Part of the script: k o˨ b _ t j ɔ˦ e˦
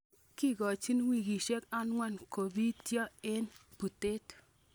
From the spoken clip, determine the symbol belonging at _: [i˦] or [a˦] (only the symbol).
i˦